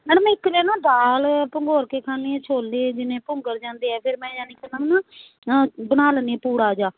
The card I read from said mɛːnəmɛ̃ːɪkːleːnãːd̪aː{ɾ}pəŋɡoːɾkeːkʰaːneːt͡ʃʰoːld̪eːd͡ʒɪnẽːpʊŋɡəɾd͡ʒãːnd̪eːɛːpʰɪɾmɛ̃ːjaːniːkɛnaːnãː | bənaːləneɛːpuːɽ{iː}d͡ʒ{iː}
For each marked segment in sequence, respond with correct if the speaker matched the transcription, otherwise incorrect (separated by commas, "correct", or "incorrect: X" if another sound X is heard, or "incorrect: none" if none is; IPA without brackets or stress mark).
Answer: incorrect: l, incorrect: aː, incorrect: aː